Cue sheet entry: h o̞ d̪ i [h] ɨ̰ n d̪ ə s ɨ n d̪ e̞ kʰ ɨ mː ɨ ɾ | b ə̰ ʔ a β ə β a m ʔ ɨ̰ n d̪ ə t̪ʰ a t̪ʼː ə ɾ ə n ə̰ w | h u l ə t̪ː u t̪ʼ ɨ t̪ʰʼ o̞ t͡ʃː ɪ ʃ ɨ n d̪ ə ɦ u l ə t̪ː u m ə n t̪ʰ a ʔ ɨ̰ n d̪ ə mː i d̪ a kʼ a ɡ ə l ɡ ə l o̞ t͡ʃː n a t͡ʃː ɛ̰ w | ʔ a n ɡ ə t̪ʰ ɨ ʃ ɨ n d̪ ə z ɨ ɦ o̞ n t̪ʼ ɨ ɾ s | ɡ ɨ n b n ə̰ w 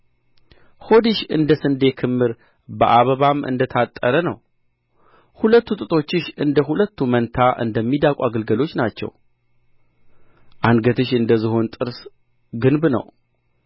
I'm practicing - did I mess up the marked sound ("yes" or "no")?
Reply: yes